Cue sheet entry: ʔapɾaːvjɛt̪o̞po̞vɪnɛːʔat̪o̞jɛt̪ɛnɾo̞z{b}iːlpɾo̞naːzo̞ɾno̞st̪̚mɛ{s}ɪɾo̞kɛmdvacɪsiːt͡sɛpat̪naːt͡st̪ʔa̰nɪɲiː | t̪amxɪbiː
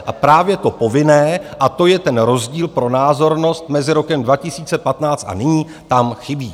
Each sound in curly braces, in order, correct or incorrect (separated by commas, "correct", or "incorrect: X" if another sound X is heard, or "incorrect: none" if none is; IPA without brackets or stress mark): incorrect: ɟ, incorrect: z